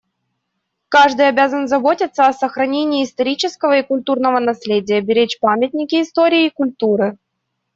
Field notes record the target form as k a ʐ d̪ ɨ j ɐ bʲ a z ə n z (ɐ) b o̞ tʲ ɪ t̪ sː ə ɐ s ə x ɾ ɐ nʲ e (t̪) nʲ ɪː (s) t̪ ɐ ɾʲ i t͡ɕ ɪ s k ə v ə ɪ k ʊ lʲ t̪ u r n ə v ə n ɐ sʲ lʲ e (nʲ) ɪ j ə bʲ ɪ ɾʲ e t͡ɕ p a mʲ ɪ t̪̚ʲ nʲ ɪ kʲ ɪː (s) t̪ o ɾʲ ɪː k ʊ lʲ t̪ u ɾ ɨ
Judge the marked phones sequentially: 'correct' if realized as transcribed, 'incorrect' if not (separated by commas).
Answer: correct, incorrect, correct, incorrect, correct